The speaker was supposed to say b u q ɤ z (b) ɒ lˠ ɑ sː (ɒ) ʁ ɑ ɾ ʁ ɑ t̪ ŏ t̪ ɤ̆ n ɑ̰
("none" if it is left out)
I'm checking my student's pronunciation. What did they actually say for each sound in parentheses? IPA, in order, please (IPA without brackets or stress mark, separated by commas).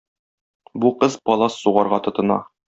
p, u